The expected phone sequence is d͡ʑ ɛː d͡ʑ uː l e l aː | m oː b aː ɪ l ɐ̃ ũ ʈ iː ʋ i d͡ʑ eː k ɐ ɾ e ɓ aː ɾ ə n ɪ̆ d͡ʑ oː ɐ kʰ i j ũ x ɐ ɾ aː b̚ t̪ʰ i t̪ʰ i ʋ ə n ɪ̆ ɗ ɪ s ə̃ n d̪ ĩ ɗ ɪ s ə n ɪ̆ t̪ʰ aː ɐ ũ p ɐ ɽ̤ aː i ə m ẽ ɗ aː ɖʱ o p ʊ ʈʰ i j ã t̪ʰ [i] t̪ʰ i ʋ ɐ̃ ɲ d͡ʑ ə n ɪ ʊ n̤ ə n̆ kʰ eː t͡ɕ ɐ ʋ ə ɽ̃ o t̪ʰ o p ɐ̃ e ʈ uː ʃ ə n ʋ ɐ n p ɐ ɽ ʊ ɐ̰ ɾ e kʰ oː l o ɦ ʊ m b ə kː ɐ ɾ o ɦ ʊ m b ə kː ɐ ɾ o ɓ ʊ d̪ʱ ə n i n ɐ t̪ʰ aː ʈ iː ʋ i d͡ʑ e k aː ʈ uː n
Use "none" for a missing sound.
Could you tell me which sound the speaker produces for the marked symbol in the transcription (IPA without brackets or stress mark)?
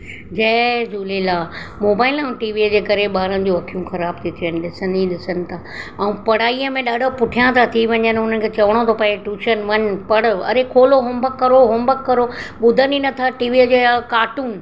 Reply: a